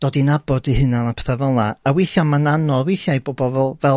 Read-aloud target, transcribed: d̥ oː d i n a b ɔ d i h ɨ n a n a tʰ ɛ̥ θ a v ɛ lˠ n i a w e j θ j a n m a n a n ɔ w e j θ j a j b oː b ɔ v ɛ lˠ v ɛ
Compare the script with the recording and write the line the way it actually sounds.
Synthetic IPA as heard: d̥ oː d i n a b ɔ d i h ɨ n a n a pʰ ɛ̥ θ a v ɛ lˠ n a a w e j θ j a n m a n a n ɔ w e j θ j a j b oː b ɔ v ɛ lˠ v ɛ